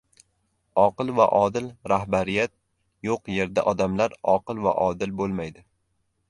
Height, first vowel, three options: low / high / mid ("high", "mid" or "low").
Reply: low